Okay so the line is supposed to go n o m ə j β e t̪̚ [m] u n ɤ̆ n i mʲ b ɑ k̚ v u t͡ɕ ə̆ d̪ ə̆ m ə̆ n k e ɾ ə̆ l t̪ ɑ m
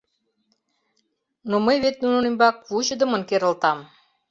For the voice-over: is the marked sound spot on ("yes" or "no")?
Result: no